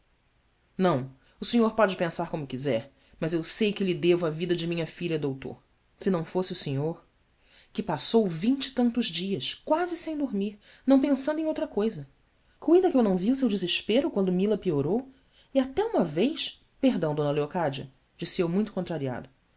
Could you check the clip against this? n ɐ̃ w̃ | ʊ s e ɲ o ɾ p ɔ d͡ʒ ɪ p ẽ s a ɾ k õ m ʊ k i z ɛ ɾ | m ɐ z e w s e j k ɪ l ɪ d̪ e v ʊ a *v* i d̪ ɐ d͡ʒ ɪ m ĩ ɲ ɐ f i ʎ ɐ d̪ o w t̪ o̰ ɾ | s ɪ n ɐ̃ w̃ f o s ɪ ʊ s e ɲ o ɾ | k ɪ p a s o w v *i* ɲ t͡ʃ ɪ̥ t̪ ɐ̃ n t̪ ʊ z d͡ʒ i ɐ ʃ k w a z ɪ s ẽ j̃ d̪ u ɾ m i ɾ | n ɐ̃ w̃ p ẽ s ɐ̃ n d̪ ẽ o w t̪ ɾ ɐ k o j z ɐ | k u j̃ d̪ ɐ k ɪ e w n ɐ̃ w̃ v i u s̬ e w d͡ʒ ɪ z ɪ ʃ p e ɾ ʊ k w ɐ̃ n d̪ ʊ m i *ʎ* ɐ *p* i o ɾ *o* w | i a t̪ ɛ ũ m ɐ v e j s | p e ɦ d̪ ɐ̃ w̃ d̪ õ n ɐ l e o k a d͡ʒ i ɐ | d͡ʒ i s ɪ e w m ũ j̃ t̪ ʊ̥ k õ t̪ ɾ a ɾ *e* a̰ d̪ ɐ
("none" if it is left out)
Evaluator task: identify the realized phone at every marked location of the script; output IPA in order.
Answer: v, ĩ, l, p, o, i

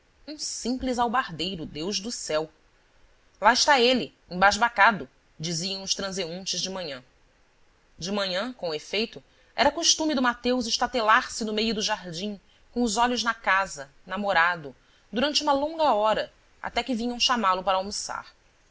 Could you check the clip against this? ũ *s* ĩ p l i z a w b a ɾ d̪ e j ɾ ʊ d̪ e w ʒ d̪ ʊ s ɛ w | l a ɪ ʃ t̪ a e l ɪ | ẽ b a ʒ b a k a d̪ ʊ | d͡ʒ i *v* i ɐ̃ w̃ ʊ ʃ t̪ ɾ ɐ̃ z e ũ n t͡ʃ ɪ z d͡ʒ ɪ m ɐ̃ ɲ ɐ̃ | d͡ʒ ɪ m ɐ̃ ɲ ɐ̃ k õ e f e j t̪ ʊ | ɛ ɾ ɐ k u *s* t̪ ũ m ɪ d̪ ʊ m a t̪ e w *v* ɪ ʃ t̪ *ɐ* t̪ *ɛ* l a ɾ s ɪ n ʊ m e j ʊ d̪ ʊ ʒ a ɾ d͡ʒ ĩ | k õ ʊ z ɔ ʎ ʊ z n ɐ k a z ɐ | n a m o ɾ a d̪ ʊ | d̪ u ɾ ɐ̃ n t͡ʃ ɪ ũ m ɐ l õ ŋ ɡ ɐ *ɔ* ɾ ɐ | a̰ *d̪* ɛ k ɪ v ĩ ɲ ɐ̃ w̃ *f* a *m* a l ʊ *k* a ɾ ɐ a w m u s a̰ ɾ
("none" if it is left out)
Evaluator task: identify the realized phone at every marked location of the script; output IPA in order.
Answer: s, z, ʃ, z, a, e, ɔ, t̪, ʃ, m, p

